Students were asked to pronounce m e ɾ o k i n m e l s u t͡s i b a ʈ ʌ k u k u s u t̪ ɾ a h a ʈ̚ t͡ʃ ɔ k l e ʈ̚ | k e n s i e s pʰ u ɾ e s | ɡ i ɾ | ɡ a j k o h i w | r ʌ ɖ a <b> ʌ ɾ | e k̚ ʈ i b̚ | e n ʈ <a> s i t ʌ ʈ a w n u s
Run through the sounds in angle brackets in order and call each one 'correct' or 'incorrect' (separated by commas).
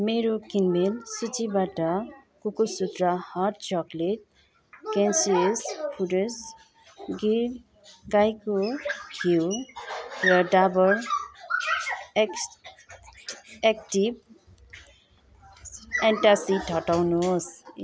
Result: correct, correct